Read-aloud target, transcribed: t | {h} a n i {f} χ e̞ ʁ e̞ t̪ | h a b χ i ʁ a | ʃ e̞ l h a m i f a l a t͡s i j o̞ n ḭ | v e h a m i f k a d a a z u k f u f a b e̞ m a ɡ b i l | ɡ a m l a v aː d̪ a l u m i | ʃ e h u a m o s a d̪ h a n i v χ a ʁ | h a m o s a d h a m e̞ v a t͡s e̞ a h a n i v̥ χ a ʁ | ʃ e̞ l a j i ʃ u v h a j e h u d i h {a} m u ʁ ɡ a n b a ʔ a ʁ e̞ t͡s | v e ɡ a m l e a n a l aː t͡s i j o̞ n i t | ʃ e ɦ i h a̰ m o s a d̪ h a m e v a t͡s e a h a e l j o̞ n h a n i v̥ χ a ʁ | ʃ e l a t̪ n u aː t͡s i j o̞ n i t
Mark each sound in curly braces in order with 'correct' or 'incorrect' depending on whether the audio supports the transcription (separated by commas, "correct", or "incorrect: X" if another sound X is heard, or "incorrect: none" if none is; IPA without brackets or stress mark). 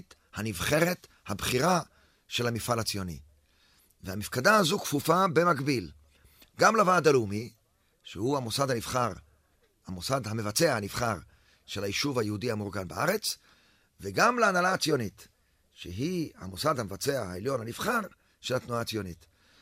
correct, incorrect: v, correct